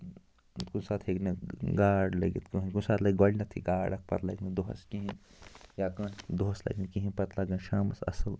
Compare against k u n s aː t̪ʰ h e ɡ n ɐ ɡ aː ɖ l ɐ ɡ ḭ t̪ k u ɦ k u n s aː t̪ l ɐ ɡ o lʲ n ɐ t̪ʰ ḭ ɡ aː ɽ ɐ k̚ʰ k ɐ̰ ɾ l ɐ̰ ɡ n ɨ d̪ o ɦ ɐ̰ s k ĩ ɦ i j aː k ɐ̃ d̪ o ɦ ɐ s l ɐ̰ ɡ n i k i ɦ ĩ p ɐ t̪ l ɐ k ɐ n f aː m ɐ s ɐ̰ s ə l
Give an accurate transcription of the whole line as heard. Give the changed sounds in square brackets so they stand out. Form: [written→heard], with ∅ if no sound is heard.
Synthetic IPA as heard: k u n s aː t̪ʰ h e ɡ n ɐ ɡ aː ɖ l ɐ ɡ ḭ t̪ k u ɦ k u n s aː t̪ l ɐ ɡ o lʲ n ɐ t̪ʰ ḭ ɡ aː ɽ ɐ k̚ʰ [k→p] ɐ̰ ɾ l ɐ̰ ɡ n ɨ d̪ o ɦ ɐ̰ s k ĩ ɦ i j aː k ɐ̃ d̪ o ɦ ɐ s l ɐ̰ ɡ n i k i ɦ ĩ p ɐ t̪ l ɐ [k→ɡ] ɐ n [f→ʃ] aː m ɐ s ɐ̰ s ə l